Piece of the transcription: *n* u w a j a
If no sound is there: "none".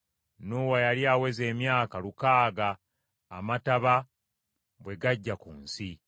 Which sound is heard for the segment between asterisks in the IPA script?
n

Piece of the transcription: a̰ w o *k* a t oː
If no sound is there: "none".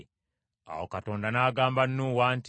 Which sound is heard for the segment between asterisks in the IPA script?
k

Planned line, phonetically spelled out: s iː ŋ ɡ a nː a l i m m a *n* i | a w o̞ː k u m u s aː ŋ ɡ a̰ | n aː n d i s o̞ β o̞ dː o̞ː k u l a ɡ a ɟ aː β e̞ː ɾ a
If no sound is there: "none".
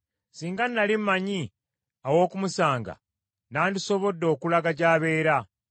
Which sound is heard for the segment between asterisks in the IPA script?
ɲ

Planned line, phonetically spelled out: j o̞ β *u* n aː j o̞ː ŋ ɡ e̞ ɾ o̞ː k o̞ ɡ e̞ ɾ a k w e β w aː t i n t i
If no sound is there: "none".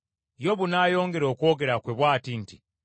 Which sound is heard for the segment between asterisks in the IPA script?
u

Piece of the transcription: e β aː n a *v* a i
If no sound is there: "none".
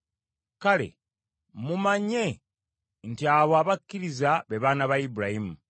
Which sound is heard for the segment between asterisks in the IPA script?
β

